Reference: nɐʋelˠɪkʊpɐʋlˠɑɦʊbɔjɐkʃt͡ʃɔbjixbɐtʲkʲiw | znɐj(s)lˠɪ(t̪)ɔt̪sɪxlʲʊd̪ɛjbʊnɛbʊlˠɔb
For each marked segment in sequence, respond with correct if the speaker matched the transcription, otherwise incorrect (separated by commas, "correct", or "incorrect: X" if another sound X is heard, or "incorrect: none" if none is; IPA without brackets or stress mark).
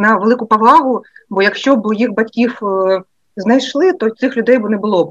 incorrect: ʃ, correct